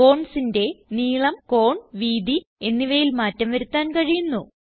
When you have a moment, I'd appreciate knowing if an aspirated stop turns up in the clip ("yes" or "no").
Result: no